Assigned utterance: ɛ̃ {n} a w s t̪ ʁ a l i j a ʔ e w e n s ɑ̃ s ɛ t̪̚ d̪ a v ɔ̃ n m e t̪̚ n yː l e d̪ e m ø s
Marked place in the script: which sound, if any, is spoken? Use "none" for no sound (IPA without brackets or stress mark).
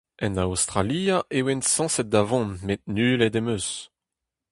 n